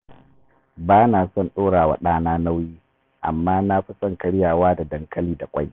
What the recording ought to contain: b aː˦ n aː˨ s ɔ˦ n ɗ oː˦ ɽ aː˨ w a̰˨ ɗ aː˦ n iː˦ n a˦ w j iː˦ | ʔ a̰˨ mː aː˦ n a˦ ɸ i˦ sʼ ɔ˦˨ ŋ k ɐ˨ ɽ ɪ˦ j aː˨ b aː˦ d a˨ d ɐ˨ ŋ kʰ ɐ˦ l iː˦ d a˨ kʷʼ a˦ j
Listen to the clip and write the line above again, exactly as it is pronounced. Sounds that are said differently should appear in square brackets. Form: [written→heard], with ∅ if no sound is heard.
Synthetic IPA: b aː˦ n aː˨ s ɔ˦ n ɗ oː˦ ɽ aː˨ w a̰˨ ɗ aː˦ n [iː˦→aː˦] n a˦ w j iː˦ | ʔ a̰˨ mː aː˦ n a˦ ɸ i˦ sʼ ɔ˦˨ ŋ k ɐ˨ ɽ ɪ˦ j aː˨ [b→w] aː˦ d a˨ d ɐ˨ ŋ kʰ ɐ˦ l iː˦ d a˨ kʷʼ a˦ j

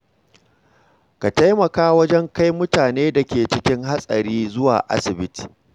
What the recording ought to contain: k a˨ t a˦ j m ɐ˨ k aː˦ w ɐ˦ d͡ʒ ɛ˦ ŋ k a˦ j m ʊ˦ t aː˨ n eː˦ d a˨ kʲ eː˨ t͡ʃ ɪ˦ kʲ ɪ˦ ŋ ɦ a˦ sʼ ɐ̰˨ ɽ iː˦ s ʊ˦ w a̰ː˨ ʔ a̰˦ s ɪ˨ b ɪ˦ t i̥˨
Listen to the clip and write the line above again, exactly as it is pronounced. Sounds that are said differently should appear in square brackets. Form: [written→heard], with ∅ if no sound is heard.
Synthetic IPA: k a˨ t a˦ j m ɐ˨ k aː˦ w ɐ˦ d͡ʒ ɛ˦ ŋ k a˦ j m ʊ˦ t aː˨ n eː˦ d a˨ kʲ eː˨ t͡ʃ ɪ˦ kʲ ɪ˦ ŋ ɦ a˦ sʼ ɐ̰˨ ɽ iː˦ [s→z] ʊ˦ w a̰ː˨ ʔ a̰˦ s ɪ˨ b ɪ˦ t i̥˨

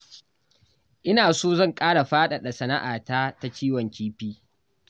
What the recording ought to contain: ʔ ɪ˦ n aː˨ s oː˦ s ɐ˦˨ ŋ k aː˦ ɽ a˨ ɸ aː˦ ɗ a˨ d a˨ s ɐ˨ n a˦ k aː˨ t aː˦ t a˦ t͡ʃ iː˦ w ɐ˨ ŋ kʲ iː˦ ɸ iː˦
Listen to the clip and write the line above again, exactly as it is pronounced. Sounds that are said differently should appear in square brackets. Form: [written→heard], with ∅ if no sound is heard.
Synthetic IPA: ʔ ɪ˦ n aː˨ s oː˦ [s→z] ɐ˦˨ ŋ [k→kʼ] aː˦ ɽ a˨ ɸ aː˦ ɗ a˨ [d→ɗ] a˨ s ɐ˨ n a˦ [k→ʔ] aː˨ t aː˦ t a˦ t͡ʃ iː˦ w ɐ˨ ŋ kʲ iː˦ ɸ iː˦

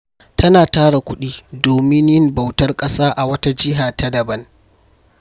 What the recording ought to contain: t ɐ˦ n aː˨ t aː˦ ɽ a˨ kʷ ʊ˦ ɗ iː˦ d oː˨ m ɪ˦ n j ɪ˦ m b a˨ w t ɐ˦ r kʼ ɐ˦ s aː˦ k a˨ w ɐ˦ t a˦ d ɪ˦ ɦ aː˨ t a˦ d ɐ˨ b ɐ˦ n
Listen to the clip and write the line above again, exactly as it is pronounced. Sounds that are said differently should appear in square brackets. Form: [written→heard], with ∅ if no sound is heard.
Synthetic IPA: t ɐ˦ n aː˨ t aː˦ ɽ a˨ kʷ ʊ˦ ɗ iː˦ d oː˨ m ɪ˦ n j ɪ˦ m b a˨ w t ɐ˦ r kʼ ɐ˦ s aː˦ [k→ʔ] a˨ w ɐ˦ t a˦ [d→d͡ʒ] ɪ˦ ɦ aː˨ t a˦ d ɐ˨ b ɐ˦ n

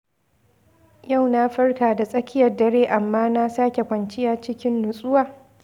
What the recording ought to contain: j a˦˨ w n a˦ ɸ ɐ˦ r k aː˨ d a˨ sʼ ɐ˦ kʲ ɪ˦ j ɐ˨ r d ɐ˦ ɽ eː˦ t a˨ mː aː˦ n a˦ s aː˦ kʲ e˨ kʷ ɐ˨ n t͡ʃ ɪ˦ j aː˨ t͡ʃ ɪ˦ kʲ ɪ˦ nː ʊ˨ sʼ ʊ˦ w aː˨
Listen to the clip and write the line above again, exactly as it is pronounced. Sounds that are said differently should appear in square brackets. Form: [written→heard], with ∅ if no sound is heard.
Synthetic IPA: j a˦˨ w n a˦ ɸ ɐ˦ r k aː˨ d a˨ sʼ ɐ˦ kʲ ɪ˦ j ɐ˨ r d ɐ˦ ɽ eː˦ [t→ʔ] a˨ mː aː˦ n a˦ s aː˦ kʲ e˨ kʷ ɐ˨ n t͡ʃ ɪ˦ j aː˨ t͡ʃ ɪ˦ kʲ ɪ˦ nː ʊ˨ sʼ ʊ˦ w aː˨

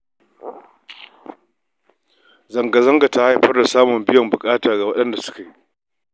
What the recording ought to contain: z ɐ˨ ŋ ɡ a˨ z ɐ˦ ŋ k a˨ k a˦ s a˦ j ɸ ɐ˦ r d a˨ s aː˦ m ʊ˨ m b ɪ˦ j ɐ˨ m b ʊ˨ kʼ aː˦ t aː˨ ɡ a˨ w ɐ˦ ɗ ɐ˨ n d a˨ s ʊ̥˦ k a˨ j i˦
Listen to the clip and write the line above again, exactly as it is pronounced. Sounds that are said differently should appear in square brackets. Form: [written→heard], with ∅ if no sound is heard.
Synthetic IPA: z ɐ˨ ŋ ɡ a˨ z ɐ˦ ŋ [k→ɡ] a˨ [k→t] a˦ [s→h] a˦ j ɸ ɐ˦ r d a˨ s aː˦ m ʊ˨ m b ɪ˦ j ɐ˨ m b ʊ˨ kʼ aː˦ t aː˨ ɡ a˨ w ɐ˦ ɗ [ɐ˨→ɐ˦] n d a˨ s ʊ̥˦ k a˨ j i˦

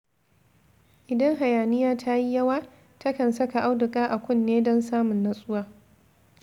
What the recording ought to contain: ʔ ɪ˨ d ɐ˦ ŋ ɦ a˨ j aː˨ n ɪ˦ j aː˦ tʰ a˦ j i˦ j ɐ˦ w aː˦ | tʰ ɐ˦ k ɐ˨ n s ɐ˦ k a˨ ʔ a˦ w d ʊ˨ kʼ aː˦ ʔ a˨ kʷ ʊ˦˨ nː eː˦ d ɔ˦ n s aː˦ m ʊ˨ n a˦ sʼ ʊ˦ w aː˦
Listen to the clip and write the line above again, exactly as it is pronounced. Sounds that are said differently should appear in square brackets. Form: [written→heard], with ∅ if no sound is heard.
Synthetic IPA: ʔ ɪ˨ d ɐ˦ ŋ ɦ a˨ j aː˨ n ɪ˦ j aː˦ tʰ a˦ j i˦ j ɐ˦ w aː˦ | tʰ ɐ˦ k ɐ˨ n s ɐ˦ k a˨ ʔ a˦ w d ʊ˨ kʼ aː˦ ʔ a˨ kʷ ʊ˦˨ nː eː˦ d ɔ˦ n s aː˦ m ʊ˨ [n→nː] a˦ sʼ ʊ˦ w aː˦

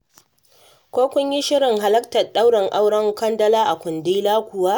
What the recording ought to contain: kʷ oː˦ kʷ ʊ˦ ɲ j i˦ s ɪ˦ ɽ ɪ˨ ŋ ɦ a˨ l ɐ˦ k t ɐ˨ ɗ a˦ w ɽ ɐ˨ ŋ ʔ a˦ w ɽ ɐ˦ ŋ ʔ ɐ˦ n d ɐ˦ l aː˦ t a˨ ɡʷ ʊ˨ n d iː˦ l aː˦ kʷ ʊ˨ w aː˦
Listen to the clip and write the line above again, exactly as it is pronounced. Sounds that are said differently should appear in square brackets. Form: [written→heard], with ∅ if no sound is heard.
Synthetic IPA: kʷ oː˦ kʷ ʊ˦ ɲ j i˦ [s→ʃ] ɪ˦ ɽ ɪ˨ ŋ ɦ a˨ l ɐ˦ k t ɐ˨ ɗ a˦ w ɽ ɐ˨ ŋ ʔ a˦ w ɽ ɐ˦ ŋ [ʔ→k] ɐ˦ n d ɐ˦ l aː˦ [t→ʔ] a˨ [ɡʷ→kʷ] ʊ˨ n d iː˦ l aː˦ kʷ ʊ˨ w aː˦

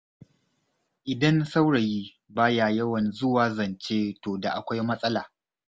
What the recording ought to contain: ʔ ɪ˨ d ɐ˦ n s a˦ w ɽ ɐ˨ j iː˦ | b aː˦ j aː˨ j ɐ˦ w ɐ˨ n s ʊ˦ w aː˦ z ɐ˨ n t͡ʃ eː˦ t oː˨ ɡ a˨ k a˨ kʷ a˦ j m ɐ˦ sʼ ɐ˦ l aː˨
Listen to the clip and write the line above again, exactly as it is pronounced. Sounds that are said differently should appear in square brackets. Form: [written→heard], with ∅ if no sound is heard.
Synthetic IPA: ʔ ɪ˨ d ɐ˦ n s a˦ w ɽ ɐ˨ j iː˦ | b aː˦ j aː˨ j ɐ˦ w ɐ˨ n [s→z] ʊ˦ w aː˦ z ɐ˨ n t͡ʃ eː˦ t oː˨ [ɡ→d] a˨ [k→ʔ] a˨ kʷ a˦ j m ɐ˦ sʼ ɐ˦ l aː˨

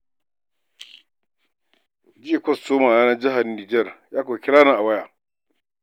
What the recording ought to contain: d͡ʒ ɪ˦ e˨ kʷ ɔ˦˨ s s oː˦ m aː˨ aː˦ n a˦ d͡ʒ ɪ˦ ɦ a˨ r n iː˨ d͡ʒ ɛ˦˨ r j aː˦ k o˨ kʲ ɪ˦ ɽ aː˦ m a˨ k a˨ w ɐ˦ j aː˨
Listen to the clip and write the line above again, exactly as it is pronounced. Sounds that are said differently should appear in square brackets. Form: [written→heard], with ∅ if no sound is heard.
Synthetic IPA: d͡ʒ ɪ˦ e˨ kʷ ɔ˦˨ s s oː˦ m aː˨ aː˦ n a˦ d͡ʒ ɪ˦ ɦ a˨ r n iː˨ d͡ʒ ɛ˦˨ r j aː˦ k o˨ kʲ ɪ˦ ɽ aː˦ [m→n] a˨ [k→ʔ] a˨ w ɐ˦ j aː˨

